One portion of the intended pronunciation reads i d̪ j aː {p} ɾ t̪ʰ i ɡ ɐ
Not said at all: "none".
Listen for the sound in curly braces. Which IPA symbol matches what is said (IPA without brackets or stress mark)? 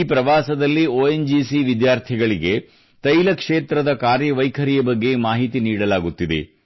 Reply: none